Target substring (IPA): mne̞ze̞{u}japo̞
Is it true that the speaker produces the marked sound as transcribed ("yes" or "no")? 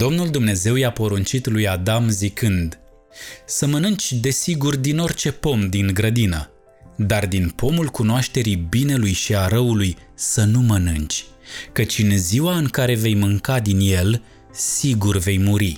no